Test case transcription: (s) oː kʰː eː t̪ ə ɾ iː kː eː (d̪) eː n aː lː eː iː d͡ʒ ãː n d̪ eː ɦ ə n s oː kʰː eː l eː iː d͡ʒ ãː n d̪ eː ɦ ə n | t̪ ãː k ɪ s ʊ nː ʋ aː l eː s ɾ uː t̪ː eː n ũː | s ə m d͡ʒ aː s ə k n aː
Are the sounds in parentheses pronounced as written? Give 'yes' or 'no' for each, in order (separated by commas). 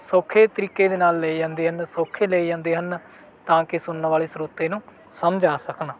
yes, yes